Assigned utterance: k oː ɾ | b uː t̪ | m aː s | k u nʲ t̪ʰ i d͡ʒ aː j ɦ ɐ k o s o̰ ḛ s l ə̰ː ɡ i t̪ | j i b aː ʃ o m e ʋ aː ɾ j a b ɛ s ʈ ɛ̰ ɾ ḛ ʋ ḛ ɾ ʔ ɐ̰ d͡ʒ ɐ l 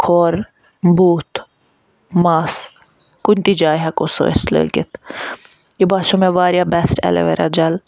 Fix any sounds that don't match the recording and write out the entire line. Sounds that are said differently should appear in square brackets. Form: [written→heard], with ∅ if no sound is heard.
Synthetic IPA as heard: [k→kʰ] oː ɾ | b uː t̪ | m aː s | k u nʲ [t̪ʰ→t̪] i d͡ʒ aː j ɦ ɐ k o s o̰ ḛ s l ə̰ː ɡ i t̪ | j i b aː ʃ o m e ʋ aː ɾ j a b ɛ s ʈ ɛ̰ [ɾ→l] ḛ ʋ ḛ ɾ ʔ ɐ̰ d͡ʒ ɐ l

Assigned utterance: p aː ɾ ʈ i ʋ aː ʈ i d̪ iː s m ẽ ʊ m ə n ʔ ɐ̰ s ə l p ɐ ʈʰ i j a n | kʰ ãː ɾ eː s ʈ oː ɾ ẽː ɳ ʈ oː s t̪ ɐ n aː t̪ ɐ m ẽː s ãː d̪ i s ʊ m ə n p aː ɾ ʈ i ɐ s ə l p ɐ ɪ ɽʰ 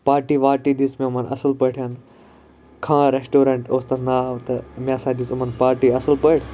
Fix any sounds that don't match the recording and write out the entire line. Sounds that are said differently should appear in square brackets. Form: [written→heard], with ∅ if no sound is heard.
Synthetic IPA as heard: p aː ɾ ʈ i ʋ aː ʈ i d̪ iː s m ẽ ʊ m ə n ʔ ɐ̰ s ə l p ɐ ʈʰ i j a n | kʰ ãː ɾ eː s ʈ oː ɾ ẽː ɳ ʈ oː s t̪ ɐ n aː t̪ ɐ m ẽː s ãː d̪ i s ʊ m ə n p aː ɾ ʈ i ɐ s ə l p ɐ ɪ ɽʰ

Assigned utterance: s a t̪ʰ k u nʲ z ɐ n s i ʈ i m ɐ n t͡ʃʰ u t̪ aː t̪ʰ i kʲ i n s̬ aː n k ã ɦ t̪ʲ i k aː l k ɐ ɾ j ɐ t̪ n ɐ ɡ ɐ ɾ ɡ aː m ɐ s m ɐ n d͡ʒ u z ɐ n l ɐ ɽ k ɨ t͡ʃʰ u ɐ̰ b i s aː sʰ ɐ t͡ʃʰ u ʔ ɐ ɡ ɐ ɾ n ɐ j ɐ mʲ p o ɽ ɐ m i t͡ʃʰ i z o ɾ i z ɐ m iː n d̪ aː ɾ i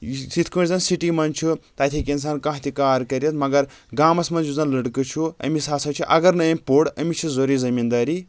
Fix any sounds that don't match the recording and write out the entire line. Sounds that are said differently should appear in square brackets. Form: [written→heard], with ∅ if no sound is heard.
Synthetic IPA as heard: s [a→i] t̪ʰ k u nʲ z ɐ n s i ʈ i m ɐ n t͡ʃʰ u t̪ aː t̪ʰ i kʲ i n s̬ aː n k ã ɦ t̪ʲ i k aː [l→ɾ] k ɐ ɾ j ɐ t̪ [n→m] ɐ ɡ ɐ ɾ ɡ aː m ɐ s m ɐ n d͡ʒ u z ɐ n l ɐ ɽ k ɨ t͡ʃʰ u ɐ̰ [b→m] i s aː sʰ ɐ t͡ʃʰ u ʔ ɐ ɡ ɐ ɾ n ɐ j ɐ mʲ p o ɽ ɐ m i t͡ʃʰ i z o ɾ i z ɐ m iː n d̪ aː ɾ i

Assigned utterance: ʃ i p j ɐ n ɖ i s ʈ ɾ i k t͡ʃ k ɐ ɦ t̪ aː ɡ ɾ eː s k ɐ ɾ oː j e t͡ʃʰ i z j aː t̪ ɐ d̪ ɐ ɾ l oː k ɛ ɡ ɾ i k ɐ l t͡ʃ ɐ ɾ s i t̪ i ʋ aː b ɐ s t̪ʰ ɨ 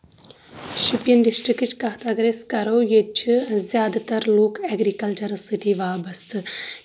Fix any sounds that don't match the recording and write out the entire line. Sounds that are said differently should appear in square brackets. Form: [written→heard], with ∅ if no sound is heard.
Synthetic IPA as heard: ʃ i p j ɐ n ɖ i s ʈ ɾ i k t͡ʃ k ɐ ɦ t̪ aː ɡ ɾ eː s k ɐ ɾ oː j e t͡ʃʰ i z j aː [t̪→d̪] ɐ [d̪→t̪] ɐ ɾ l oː k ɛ ɡ ɾ i k ɐ l t͡ʃ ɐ ɾ s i t̪ i ʋ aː b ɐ s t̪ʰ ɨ

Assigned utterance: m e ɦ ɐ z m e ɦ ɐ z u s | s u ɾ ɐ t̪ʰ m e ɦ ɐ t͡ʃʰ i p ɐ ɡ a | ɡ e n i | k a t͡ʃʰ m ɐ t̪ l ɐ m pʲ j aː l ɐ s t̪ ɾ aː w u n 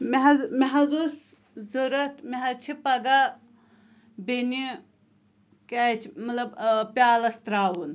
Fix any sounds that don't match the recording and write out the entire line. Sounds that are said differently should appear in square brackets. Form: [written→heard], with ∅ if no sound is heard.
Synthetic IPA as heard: m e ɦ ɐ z m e ɦ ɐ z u s | [s→z] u ɾ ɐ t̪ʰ m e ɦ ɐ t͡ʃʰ i p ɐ ɡ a | [ɡ→b] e n i | k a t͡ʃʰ m ɐ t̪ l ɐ [m→b] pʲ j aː l ɐ s t̪ ɾ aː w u n

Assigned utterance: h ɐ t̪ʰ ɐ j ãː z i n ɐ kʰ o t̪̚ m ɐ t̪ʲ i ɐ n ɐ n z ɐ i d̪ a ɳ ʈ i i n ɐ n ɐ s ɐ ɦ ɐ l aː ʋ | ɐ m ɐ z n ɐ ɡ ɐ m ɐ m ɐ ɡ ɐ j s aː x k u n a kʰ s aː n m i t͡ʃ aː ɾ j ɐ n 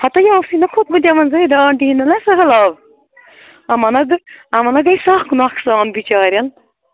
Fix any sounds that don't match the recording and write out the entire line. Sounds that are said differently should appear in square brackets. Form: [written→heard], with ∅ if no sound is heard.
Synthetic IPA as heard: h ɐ [t̪ʰ→t̪] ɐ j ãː [z→s] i n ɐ kʰ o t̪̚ m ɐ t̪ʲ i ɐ [n→m] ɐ n z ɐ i d̪ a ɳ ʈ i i n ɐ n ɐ s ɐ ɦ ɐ l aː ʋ | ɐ m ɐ [z→∅] n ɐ ɡ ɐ m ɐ [m→n] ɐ ɡ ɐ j s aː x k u n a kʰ s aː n [m→b] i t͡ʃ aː ɾ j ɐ n

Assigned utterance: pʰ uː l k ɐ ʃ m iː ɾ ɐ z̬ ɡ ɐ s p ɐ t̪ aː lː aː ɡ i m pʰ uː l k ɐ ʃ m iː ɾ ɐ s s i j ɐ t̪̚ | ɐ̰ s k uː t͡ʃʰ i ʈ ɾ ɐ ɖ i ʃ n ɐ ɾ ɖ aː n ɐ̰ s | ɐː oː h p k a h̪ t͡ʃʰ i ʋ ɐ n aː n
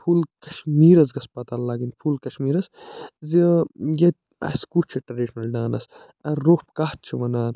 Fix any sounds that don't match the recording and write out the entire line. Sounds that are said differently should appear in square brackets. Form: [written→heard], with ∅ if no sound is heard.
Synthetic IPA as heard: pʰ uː l k ɐ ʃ m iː ɾ ɐ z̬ ɡ ɐ s p ɐ t̪ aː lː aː ɡ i [m→n] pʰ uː l k ɐ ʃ m iː ɾ ɐ s [s→z] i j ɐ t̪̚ | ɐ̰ s k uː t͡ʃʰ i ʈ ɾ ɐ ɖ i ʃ n ɐ [ɾ→l] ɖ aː n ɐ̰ s | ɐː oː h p k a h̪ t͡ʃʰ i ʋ ɐ n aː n

